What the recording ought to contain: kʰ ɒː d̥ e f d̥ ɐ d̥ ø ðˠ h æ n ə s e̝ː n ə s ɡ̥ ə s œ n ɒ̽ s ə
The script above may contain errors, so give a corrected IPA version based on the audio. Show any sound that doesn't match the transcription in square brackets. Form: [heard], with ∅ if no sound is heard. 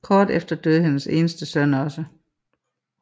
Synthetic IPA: kʰ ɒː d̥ e f d̥ ɐ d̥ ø ðˠ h [e] n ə s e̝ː n ə s [d̥] ə s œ n ɒ̽ s ə